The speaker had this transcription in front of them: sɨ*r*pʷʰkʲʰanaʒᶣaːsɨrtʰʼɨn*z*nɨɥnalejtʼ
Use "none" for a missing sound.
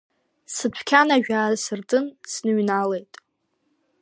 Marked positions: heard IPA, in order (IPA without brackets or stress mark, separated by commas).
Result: none, s